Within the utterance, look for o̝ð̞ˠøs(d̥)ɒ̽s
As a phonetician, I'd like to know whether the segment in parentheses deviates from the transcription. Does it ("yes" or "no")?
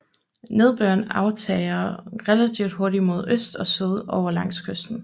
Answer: no